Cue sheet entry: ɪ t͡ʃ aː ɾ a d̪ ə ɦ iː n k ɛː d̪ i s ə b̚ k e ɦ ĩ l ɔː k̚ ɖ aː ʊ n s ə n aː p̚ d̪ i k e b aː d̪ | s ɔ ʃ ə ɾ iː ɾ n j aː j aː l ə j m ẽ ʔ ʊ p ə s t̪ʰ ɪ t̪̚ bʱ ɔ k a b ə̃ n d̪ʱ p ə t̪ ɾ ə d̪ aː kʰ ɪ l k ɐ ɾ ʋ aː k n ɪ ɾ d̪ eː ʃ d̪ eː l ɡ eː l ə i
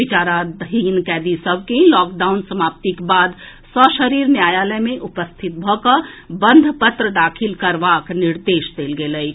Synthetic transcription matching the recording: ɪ t͡ʃ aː ɾ a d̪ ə ɦ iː n k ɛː d̪ i s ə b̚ k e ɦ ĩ l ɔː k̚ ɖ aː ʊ n s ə m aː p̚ t̪ i k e b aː d̪ | s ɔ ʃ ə ɾ iː ɾ n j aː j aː l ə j m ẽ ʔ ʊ p ə s t̪ʰ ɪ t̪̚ bʱ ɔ k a b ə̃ n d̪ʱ p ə t̪ ɾ ə d̪ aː kʰ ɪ l k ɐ ɾ ʋ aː k n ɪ ɾ d̪ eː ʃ d̪ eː l ɡ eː l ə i